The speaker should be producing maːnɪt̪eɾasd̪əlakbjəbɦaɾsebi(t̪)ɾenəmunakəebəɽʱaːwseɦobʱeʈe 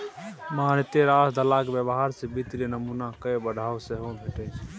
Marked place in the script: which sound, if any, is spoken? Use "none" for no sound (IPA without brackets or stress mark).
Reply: t̪